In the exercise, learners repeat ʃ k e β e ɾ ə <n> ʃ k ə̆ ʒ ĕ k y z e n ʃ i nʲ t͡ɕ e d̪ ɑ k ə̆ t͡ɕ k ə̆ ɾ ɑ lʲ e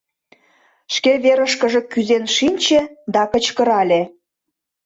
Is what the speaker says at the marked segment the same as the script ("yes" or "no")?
no